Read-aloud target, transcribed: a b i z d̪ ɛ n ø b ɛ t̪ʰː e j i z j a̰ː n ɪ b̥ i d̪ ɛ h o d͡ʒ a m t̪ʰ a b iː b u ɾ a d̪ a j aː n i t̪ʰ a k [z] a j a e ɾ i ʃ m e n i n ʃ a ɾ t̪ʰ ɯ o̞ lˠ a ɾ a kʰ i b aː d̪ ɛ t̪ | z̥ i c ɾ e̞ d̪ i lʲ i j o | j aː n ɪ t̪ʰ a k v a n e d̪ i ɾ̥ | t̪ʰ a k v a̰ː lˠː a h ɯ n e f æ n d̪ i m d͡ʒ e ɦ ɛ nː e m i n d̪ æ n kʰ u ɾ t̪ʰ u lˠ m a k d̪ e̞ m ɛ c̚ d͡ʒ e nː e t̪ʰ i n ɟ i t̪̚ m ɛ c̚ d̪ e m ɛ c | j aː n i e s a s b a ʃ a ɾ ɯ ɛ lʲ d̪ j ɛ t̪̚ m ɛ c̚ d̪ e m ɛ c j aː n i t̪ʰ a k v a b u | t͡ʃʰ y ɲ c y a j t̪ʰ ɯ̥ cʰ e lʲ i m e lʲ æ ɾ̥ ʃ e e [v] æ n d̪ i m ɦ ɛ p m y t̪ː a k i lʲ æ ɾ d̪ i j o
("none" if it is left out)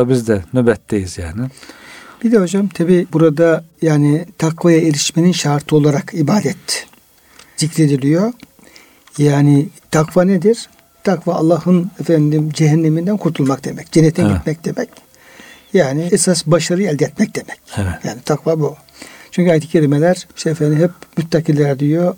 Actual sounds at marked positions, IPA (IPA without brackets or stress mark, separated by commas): v, f